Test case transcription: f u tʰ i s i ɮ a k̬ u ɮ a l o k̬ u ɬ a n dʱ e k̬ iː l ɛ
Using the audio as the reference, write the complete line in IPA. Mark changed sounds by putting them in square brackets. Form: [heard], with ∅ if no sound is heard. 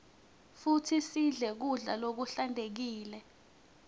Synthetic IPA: f u tʰ i s i ɮ [ɛ] k̬ u ɮ a l o k̬ u ɬ a n dʱ e k̬ iː l ɛ